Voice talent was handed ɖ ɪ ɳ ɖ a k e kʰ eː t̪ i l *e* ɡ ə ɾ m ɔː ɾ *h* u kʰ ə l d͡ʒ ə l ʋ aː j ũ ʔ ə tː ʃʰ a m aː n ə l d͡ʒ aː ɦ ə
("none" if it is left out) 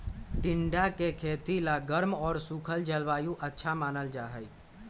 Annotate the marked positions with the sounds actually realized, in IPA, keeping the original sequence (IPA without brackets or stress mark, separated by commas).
a, s